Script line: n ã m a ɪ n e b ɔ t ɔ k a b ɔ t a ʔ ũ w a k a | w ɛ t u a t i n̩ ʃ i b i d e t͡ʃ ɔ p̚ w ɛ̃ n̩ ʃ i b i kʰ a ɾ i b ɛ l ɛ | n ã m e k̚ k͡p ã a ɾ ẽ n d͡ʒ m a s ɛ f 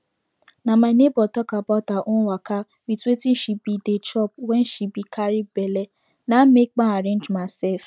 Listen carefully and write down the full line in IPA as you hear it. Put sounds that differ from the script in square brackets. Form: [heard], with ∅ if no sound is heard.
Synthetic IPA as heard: n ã m a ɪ n e b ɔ t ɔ k a b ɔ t a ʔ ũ w a k a | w [i] t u [e] t i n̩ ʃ i b i d e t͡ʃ ɔ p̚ w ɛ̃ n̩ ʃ i b i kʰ a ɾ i b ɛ l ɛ | n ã m e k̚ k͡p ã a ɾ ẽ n d͡ʒ m a s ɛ f